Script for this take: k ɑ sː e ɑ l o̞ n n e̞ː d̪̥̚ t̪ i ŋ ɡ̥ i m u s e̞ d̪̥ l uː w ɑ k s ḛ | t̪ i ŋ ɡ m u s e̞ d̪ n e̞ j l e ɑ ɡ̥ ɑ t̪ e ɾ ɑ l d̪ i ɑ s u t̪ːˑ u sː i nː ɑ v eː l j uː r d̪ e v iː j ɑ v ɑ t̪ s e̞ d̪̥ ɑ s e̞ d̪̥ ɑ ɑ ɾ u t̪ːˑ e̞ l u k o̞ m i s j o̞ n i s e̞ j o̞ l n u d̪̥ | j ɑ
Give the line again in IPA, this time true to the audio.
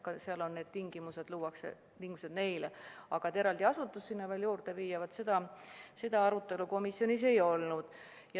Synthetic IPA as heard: k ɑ s e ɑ l o̞ n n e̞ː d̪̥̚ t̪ i ŋ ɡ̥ i m u s e̞ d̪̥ l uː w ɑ k s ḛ | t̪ i ŋ ɡ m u s e̞ d̪ n e̞ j l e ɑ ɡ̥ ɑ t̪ e ɾ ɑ l d̪ i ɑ s u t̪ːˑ u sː i nː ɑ v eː l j uː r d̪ e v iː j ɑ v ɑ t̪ s e̞ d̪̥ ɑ s e̞ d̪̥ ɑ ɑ ɾ u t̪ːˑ e̞ l u k o̞ m i s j o̞ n i s e̞ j o̞ l n u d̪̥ | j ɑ